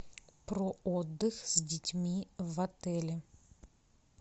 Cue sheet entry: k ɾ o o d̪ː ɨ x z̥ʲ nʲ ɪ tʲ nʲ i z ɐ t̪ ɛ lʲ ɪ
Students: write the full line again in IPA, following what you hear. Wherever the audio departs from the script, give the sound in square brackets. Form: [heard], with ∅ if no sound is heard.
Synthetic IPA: [p] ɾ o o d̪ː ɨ x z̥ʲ [dʲ] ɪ tʲ [mʲ] i [v] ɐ t̪ ɛ lʲ ɪ

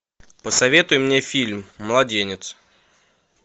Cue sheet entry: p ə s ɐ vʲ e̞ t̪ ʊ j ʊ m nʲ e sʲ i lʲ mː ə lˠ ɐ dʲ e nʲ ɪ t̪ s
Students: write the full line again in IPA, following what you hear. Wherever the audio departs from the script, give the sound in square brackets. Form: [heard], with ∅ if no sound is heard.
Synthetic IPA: p ə s ɐ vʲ e̞ t̪ ʊ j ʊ m nʲ e [fʲ] i lʲ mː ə lˠ ɐ dʲ e nʲ ɪ t̪ s

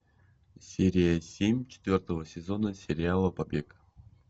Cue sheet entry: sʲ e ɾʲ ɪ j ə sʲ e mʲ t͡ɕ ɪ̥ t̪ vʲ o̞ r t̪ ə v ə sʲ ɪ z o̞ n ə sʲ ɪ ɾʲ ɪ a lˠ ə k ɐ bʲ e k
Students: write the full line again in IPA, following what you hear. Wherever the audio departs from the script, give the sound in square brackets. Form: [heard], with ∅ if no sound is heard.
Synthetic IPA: sʲ e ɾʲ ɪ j ə sʲ e mʲ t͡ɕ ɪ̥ t̪ vʲ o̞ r t̪ ə v ə sʲ ɪ z o̞ n ə sʲ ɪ ɾʲ ɪ a lˠ ə [p] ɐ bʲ e k

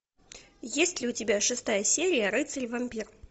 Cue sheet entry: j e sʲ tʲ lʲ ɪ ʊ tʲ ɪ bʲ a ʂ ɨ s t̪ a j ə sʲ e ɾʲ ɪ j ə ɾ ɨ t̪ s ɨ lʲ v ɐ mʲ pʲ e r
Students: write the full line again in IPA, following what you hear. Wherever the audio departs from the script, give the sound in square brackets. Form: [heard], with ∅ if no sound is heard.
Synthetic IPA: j e sʲ tʲ lʲ ɪ ʊ tʲ ɪ bʲ a ʂ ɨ s t̪ a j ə sʲ e ɾʲ ɪ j ə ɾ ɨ t̪ s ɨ lʲ v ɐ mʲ pʲ [i] r

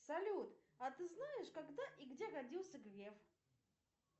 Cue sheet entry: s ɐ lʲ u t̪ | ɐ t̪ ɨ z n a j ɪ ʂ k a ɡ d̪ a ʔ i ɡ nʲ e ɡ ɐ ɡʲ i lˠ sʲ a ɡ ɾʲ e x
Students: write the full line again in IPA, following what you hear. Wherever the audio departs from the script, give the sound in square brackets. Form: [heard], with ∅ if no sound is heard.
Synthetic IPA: s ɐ lʲ u t̪ | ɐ t̪ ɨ z n a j ɪ ʂ k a ɡ d̪ a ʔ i ɡ [dʲ] e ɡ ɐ [dʲ] i lˠ sʲ [ə] ɡ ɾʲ e [f]

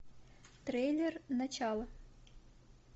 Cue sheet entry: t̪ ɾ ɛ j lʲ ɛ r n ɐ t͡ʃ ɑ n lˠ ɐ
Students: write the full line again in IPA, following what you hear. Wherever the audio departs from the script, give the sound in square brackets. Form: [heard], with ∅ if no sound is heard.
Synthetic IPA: t̪ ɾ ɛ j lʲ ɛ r n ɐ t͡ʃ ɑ [∅] lˠ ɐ

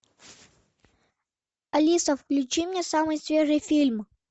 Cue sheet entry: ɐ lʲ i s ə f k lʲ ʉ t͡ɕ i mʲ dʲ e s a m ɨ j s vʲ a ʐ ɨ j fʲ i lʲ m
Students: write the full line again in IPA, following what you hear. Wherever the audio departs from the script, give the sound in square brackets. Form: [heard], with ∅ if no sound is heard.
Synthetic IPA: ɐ lʲ i s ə f k lʲ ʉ t͡ɕ i mʲ [nʲ] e s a m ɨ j s vʲ [e] ʐ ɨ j fʲ i lʲ m

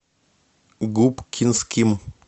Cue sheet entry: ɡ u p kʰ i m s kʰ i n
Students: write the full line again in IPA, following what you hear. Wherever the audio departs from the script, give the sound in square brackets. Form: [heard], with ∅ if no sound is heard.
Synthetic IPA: ɡ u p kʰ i [n] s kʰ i [m]

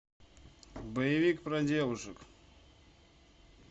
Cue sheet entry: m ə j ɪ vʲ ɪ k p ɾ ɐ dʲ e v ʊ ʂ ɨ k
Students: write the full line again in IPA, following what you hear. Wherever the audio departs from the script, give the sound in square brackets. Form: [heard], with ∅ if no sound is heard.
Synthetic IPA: [b] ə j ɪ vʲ [i] k p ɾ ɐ dʲ e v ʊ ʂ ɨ k

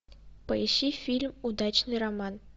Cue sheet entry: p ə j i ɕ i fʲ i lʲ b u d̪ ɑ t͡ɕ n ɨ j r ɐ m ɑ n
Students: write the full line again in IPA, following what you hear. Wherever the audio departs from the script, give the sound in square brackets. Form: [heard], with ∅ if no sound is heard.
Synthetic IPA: p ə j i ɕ i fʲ i lʲ [m] u d̪ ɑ t͡ɕ n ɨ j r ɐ m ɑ n

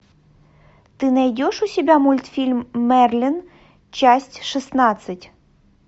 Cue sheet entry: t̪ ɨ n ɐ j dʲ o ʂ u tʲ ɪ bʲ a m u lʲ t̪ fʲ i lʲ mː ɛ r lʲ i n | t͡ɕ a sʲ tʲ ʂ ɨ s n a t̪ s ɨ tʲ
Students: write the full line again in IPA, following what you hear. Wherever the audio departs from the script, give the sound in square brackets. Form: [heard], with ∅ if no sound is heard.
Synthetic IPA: t̪ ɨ n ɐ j dʲ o ʂ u [sʲ] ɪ bʲ a m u lʲ t̪ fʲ i lʲ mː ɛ r lʲ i n | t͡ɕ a sʲ tʲ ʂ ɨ s n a t̪ s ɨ tʲ

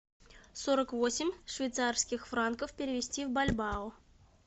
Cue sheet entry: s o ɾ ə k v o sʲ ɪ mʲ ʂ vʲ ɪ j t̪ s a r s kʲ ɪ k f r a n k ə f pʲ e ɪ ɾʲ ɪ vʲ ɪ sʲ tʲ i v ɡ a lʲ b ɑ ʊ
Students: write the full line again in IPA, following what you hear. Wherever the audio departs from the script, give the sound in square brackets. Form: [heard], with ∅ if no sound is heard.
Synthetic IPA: s o ɾ ə k v o sʲ ɪ mʲ ʂ vʲ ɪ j t̪ s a r s kʲ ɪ [x] f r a n k ə f pʲ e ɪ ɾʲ ɪ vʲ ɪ sʲ tʲ i v [b] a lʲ b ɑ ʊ

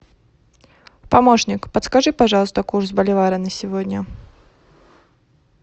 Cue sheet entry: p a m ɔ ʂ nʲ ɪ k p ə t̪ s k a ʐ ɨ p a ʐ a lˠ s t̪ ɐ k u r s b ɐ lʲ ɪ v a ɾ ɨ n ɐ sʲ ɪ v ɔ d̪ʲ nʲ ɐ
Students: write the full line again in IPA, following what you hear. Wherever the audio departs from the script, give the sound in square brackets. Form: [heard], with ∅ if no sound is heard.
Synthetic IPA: p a m ɔ ʂ nʲ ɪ k p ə t̪ s k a ʐ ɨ p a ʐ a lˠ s t̪ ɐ k u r s b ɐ lʲ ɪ v a ɾ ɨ n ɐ sʲ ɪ v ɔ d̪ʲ nʲ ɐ

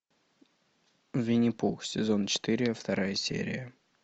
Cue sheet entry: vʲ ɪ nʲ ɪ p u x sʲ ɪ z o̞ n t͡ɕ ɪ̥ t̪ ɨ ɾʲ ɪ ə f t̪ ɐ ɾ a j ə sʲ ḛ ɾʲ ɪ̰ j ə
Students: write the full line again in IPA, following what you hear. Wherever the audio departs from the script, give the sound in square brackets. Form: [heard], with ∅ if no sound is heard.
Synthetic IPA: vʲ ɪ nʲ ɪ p u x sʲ ɪ z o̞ n t͡ɕ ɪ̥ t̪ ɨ ɾʲ ɪ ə f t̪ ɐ ɾ a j ə sʲ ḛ ɾʲ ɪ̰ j ə

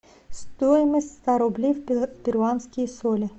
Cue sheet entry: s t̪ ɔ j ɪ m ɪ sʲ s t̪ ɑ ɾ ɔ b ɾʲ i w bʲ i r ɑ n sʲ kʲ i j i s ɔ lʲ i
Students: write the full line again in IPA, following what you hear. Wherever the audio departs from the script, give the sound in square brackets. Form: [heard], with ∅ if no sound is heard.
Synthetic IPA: s t̪ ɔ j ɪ m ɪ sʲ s t̪ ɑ ɾ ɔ b [lʲ] i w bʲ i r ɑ n sʲ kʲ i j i s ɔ lʲ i

